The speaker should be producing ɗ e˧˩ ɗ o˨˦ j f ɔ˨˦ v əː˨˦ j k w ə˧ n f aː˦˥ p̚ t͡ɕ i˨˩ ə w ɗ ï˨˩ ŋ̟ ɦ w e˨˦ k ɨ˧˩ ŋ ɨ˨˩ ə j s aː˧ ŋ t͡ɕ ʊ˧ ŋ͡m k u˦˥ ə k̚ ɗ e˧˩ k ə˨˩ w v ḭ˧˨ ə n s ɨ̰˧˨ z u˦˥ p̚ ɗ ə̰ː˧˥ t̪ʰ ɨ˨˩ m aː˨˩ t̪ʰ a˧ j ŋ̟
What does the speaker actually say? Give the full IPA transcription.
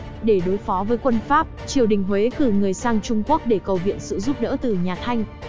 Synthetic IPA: ɗ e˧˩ ɗ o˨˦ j f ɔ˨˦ v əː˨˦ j k w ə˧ n f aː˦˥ p̚ t͡ɕ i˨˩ ə w ɗ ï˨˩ ŋ̟ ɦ w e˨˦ k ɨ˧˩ ŋ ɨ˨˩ ə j s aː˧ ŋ t͡ɕ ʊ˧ ŋ͡m k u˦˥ ə k̚ ɗ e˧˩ k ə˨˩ w v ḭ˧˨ ə n s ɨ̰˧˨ z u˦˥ p̚ ɗ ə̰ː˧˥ t̪ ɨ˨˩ ɲ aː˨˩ t̪ʰ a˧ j ŋ̟